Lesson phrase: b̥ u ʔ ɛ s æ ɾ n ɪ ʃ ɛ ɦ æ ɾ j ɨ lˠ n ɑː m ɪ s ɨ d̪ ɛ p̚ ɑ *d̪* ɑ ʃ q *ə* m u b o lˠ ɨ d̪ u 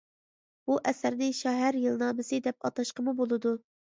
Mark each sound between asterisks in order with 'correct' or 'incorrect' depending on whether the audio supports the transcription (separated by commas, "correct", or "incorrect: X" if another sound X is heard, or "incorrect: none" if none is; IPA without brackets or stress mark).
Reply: incorrect: t̪, correct